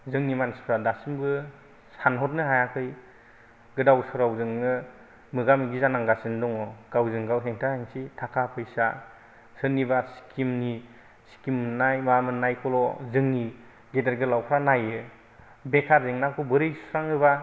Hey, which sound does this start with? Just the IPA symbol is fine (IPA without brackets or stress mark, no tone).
z